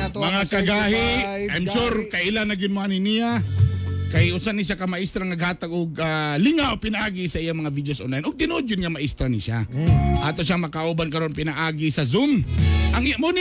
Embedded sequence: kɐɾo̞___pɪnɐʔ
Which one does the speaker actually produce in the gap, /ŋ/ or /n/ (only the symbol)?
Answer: n